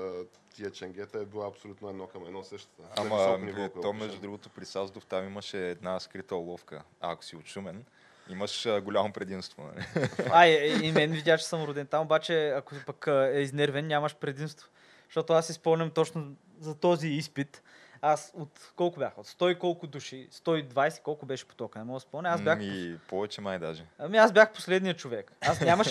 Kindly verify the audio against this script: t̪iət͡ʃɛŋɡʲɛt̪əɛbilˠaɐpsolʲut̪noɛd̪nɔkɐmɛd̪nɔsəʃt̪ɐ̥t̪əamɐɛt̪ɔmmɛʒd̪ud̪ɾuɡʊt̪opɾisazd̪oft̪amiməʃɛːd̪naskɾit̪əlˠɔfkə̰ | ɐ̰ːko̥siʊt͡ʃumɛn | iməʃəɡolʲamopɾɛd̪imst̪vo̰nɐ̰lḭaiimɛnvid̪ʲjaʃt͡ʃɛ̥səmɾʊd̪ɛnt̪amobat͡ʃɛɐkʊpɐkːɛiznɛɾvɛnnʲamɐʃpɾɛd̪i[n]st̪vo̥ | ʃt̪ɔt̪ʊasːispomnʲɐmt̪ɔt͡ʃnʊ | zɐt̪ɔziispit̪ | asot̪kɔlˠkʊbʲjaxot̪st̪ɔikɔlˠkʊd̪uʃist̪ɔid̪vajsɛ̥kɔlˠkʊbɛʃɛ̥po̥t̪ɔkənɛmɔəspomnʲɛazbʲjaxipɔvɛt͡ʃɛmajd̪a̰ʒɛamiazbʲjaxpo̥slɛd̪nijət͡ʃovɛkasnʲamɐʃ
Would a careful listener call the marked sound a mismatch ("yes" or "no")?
yes